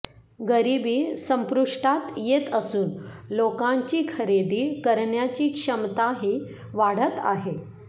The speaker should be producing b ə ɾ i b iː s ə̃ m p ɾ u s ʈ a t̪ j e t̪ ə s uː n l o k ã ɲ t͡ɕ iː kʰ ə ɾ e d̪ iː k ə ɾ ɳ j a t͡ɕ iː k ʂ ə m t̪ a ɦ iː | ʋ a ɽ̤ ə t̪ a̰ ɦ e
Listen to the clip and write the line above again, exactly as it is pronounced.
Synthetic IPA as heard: ɡ ə ɾ i b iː s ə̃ m p ɾ u ʂ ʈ a t̪ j e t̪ ə s uː n l o k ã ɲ t͡ɕ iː kʰ ə ɾ e d̪ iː k ə ɾ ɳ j a t͡ɕ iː k ʂ ə m t̪ a ɦ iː | ʋ a ɽ̤ ə t̪ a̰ ɦ e